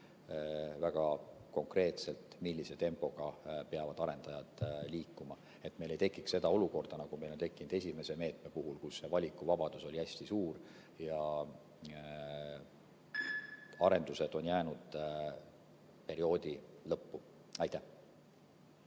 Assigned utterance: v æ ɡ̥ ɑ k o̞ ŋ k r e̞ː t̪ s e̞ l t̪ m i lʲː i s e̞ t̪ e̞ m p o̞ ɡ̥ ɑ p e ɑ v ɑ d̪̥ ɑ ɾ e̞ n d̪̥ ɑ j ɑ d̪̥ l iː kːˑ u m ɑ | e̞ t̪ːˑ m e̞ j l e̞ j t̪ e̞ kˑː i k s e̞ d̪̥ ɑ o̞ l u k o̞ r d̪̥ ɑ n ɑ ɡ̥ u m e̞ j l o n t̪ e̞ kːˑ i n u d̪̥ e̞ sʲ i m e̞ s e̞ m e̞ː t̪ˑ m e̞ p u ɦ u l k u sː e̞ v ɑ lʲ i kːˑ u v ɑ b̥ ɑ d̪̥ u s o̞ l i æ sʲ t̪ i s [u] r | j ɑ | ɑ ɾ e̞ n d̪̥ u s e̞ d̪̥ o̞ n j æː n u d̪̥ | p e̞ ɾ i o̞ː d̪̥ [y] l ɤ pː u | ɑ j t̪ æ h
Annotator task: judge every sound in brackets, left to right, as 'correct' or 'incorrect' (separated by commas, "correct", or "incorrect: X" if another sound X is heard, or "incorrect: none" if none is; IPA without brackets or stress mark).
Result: incorrect: uː, incorrect: i